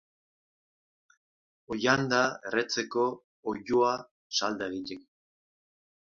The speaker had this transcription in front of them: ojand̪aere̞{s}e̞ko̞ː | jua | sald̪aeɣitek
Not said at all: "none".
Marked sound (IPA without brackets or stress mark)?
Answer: t͡s